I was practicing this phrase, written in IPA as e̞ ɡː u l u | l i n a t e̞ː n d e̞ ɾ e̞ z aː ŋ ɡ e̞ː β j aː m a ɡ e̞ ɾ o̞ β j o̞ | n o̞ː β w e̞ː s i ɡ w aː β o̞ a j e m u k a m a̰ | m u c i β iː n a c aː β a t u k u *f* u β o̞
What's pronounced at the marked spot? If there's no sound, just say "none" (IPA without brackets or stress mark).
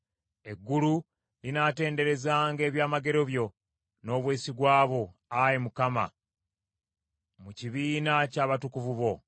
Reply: v